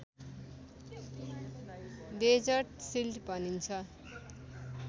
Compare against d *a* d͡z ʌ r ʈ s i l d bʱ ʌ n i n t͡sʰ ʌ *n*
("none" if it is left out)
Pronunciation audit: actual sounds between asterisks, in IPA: e, none

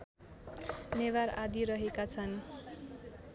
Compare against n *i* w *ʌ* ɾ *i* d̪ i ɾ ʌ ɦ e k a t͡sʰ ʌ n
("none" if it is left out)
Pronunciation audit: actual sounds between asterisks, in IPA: e, a, a

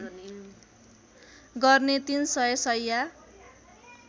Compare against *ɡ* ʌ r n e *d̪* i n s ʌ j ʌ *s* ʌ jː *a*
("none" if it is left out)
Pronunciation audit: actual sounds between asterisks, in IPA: ɡ, t̪, s, a

